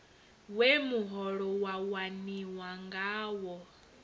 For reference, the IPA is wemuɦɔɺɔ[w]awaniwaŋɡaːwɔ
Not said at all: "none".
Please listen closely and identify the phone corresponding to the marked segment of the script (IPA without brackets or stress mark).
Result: w